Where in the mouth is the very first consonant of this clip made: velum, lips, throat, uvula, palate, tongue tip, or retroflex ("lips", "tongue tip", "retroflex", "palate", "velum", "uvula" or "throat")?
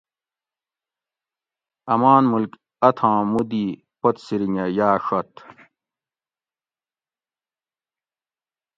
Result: lips